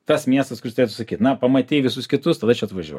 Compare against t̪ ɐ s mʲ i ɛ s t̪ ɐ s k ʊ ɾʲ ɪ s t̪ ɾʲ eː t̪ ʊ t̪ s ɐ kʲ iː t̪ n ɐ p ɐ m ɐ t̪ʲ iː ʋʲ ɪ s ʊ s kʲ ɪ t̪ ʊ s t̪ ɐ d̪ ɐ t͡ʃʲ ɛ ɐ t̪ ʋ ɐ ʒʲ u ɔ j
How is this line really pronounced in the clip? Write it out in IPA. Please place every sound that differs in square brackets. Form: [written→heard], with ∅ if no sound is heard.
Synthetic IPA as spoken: t̪ ɐ s mʲ i ɛ s t̪ ɐ s k ʊ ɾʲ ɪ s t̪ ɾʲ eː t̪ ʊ [t̪→∅] s ɐ kʲ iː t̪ n ɐ p ɐ m ɐ t̪ʲ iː ʋʲ ɪ s ʊ s kʲ ɪ t̪ ʊ s t̪ ɐ d̪ ɐ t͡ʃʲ ɛ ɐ t̪ ʋ ɐ ʒʲ u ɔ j